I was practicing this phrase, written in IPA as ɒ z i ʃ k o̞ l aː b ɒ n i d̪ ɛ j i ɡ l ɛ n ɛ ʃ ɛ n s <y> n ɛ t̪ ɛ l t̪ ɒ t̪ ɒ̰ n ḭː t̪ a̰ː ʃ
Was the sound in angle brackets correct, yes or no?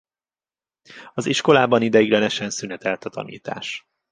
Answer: yes